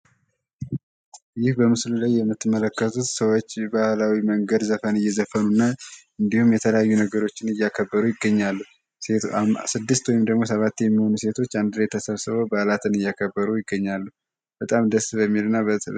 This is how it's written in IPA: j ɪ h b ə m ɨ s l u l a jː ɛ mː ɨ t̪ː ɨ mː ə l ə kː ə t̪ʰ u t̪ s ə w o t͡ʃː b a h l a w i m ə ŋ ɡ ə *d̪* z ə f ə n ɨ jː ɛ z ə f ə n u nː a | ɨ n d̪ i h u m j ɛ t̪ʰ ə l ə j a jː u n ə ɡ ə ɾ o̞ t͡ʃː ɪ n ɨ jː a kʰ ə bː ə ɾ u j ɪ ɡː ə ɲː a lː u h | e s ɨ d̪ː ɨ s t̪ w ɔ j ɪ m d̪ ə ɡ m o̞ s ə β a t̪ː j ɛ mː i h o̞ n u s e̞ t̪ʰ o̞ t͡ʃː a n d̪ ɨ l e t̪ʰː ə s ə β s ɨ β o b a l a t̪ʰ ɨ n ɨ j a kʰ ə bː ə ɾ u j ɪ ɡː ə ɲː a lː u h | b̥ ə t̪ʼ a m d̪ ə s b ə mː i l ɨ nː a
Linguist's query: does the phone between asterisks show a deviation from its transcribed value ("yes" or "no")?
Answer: no